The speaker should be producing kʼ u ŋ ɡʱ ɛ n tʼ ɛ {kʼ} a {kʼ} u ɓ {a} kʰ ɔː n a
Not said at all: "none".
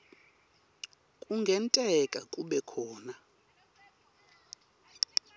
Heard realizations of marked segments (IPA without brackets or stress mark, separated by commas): kʼ, kʼ, ɛ